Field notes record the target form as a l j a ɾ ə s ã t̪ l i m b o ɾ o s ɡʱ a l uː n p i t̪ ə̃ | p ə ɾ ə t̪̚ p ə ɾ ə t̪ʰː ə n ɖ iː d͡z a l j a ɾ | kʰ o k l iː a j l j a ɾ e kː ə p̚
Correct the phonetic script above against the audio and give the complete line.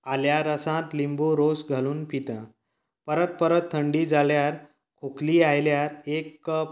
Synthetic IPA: a l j a ɾ ə s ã t̪ l i m b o ɾ o s ɡʱ a l uː n p i t̪ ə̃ | p ə ɾ ə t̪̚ p ə ɾ ə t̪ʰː ə ɳ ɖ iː d͡z a l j a ɾ | kʰ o k l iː a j l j a ɾ e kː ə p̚

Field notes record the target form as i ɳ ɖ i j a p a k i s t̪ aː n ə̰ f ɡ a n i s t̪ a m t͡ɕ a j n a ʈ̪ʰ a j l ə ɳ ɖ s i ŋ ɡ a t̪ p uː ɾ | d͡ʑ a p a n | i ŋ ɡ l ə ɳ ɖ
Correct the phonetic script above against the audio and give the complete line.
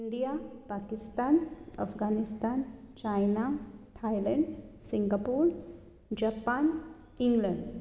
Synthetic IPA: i ɳ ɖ i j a p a k i s t̪ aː n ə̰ f ɡ a n i s t̪ a n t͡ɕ a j n a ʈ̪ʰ a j l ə ɳ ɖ s i ŋ ɡ a p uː ɾ | d͡ʑ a p a n | i ŋ ɡ l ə ɳ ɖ

